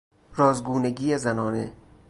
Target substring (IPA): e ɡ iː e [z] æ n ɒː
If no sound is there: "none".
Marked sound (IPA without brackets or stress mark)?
z